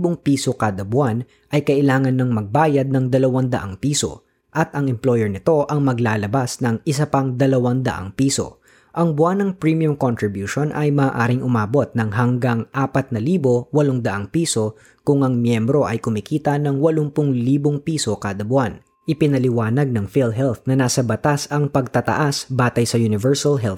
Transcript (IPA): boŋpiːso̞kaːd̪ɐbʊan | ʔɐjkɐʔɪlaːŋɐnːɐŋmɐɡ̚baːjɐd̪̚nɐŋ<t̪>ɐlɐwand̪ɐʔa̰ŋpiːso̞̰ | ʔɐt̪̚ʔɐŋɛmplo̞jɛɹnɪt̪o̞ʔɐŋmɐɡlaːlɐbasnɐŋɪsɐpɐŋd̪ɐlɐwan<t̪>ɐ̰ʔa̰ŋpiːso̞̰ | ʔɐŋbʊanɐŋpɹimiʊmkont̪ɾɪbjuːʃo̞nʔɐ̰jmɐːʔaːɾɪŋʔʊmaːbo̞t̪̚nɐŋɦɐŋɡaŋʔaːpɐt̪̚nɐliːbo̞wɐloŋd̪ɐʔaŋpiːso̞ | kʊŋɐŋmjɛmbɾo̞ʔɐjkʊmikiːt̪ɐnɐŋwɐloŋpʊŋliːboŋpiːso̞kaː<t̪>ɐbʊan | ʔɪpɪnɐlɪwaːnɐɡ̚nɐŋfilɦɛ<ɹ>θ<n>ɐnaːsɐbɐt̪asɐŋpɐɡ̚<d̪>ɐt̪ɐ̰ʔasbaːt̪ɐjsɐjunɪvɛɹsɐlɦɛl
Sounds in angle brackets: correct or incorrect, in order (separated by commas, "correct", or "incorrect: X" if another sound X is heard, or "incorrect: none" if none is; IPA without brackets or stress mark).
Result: incorrect: d̪, incorrect: d̪, incorrect: d̪, incorrect: l, correct, incorrect: t̪